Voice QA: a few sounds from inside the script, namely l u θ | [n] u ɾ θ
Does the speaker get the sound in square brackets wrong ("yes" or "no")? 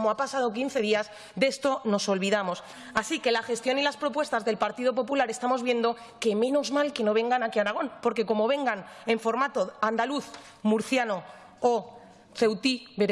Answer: yes